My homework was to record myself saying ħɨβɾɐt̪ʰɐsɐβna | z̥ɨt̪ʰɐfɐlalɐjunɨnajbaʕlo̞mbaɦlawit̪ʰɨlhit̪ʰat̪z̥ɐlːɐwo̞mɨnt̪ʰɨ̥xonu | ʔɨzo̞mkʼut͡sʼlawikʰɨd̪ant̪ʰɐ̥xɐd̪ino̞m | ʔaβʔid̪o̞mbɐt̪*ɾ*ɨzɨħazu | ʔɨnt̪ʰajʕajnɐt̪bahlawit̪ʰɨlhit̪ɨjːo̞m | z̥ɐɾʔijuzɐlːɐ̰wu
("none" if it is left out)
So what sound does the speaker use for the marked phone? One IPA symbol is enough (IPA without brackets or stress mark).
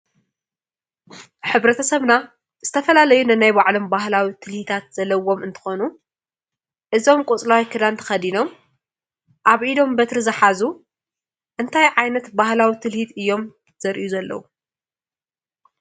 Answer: ɾ